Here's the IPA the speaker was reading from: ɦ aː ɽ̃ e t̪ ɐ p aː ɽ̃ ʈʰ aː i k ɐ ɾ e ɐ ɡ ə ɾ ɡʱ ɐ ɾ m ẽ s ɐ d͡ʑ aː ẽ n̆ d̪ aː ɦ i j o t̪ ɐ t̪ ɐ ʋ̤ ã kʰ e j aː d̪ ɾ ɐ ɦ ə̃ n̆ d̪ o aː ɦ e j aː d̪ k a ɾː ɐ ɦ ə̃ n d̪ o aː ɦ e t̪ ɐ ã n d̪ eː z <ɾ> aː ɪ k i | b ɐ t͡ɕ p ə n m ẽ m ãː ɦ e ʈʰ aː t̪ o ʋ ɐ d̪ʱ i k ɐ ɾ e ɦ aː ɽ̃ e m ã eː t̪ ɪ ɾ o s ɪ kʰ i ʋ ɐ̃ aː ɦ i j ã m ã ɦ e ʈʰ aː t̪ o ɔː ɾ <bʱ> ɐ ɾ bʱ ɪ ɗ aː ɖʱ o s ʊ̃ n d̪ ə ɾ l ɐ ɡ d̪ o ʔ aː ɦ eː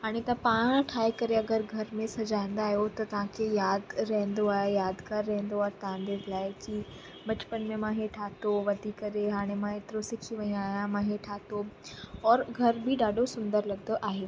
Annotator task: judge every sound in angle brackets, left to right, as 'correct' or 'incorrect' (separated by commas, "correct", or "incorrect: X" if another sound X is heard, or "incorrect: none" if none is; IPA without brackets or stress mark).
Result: incorrect: l, incorrect: ɡʱ